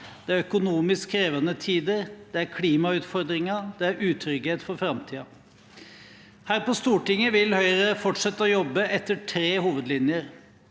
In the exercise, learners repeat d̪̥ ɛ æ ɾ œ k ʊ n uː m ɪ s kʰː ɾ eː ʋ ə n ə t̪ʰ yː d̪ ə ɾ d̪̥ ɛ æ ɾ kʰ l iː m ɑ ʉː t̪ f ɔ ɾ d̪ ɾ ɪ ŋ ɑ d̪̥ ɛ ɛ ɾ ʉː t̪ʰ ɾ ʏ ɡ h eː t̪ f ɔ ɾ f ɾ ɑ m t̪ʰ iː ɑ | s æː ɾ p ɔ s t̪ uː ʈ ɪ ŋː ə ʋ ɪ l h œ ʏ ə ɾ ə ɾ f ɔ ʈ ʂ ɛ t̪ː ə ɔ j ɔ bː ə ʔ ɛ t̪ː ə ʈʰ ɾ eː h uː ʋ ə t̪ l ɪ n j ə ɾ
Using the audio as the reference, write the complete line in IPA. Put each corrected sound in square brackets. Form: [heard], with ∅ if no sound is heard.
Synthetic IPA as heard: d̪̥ ɛ æ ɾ œ k ʊ n uː m ɪ s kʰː ɾ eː ʋ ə n ə t̪ʰ [iː] d̪ ə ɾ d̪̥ ɛ æ ɾ kʰ l iː m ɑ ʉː t̪ f ɔ ɾ d̪ ɾ ɪ ŋ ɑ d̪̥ ɛ [æ] ɾ ʉː t̪ʰ ɾ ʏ ɡ h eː t̪ f ɔ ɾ f ɾ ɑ m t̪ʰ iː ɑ | [h] æː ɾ p ɔ s t̪ uː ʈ ɪ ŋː ə ʋ ɪ l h œ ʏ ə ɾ ə [∅] f ɔ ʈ ʂ ɛ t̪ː ə ɔ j ɔ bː ə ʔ ɛ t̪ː ə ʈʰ ɾ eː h uː ʋ ə [d̪] l ɪ n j ə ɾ